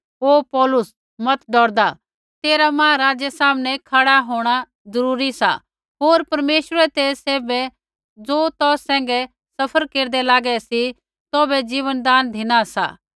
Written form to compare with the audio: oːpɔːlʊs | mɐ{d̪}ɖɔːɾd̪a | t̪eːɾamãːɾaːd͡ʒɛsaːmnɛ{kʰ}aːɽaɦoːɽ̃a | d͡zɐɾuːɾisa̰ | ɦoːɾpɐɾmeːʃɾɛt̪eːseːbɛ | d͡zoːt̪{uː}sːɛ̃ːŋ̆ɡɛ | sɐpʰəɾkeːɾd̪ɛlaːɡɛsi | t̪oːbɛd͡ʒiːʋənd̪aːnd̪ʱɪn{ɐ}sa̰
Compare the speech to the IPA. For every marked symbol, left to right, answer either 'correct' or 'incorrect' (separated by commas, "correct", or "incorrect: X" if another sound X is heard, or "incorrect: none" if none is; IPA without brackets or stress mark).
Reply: incorrect: t̪, correct, incorrect: ɔː, incorrect: a